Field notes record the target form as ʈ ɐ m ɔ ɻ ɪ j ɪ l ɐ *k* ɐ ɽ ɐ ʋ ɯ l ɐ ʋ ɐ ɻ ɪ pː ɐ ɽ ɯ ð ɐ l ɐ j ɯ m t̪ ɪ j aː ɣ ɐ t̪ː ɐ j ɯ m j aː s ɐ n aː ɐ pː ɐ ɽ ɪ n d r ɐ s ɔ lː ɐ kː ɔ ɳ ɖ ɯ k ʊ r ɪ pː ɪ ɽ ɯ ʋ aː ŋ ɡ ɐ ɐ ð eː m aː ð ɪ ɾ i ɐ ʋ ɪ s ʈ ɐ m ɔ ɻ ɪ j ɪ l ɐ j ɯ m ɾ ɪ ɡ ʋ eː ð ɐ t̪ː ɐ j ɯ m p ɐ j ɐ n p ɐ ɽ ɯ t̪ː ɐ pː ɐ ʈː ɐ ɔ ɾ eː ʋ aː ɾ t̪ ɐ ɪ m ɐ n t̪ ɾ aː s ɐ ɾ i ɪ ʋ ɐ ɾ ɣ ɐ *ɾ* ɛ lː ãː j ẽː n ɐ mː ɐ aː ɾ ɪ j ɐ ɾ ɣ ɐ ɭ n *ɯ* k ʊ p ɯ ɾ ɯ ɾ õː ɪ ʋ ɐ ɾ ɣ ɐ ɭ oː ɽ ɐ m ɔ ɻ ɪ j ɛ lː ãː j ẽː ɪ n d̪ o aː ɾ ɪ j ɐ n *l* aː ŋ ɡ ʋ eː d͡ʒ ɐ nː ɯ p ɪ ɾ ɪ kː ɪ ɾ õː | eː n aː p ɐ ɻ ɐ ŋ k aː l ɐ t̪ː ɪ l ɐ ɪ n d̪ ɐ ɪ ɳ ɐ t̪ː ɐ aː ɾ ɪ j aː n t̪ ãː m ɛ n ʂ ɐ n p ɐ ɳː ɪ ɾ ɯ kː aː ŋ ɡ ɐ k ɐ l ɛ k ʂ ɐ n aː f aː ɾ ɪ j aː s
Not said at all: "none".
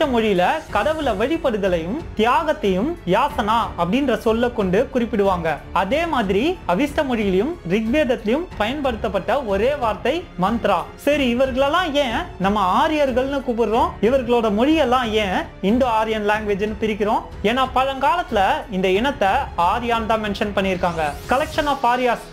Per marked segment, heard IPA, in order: k, ɭ, ɯ, l

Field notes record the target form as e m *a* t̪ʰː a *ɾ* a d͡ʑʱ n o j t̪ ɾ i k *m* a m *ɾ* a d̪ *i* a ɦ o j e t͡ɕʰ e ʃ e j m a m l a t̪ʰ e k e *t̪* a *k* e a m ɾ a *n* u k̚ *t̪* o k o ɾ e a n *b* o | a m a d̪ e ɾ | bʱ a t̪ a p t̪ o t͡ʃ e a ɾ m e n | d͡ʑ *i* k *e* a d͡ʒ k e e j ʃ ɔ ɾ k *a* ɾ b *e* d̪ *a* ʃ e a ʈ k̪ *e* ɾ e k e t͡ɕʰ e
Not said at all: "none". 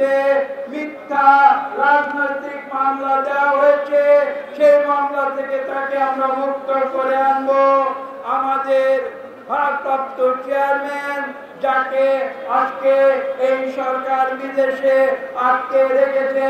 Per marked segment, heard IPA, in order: i, ɾ, m, l, e, t̪, k, m, t̪, b, a, e, a, i, e, e

